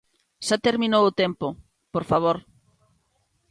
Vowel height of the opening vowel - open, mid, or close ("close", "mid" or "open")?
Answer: open